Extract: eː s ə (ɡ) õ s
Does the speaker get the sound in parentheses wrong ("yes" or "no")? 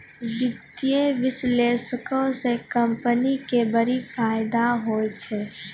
yes